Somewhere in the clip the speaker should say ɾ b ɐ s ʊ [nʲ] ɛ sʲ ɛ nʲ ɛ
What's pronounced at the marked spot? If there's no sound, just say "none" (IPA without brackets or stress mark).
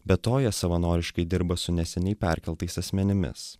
nʲ